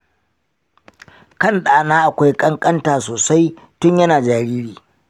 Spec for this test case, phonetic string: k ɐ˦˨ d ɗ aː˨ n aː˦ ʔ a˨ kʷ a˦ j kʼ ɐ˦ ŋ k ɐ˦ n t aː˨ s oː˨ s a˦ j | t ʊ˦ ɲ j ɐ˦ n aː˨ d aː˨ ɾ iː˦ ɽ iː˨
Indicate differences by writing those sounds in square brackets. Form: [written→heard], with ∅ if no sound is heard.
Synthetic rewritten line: k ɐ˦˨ [d→n] ɗ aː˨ n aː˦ ʔ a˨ kʷ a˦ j kʼ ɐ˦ ŋ [k→kʼ] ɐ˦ n t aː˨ s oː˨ s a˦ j | t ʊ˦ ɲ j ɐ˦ n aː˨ [d→d͡ʒ] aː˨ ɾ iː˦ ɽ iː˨